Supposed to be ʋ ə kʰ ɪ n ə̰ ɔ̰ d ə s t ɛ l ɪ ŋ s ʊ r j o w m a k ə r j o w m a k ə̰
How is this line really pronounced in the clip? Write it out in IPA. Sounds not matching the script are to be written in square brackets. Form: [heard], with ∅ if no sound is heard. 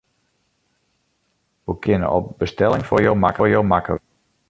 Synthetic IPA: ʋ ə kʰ ɪ n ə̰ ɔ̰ [b] ə s t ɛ l ɪ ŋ [f] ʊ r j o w m a k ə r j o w m a k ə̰